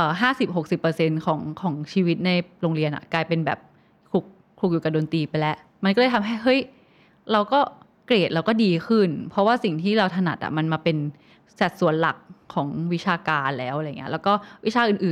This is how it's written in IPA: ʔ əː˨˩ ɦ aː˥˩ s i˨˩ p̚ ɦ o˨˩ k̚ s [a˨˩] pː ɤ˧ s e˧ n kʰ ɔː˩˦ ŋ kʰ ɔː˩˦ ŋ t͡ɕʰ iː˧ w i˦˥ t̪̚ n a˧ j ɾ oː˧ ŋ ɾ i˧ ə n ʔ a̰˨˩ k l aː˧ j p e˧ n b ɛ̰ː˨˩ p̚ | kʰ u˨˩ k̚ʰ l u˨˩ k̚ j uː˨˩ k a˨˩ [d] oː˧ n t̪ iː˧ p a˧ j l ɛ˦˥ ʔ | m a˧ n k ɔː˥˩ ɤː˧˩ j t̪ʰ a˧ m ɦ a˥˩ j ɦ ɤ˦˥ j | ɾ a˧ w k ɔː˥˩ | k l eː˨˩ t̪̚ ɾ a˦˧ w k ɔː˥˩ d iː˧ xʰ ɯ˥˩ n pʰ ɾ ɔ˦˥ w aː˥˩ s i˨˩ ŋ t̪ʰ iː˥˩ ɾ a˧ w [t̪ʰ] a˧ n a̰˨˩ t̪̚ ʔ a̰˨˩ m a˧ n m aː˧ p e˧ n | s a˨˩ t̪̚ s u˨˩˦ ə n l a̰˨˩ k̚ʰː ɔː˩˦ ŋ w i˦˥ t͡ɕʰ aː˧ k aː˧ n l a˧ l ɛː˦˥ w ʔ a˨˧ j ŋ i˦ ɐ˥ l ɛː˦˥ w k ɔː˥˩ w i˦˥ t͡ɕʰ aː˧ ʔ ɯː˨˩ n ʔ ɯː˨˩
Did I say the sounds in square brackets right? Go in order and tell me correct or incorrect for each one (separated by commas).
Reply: incorrect, correct, correct